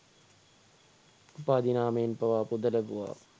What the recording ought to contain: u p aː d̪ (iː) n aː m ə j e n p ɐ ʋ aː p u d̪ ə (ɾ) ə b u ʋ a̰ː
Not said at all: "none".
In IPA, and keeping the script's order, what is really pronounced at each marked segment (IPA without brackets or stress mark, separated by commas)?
i, l